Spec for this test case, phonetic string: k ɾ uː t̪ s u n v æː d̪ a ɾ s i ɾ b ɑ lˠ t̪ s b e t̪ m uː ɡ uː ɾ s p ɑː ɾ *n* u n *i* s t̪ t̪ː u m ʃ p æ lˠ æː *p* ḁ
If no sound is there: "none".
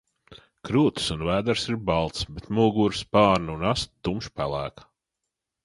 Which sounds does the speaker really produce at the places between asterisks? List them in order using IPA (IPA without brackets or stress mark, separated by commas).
n, a, k